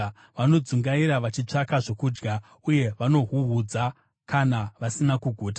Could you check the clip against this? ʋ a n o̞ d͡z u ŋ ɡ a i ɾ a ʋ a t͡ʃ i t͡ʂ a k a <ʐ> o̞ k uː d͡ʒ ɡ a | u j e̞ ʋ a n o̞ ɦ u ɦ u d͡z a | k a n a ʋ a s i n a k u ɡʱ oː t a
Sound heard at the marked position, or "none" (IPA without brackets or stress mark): ʐ